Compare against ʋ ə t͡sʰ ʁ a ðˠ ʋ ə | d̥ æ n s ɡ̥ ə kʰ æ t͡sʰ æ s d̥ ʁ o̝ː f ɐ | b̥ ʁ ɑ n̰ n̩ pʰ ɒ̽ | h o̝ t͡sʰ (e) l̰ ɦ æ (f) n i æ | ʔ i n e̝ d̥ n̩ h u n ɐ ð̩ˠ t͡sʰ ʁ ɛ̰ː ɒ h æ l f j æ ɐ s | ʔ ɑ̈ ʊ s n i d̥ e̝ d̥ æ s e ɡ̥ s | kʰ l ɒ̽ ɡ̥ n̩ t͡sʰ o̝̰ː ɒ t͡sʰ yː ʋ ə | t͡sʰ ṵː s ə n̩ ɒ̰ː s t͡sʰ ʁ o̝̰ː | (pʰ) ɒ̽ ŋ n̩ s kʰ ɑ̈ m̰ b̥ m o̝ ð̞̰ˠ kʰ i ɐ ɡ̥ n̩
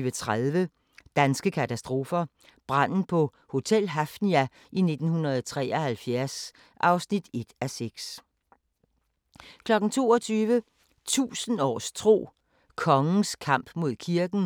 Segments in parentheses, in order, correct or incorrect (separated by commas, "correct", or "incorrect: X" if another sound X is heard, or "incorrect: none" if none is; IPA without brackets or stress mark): correct, correct, incorrect: kʰ